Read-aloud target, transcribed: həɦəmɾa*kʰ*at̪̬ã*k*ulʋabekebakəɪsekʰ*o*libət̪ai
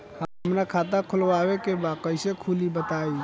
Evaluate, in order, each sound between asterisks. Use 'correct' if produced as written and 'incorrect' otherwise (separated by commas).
correct, incorrect, incorrect